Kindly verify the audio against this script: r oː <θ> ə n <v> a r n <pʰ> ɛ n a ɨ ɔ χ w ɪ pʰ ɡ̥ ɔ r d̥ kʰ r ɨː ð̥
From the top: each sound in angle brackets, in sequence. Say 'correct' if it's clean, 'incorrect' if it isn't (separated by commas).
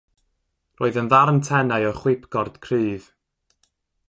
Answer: incorrect, incorrect, incorrect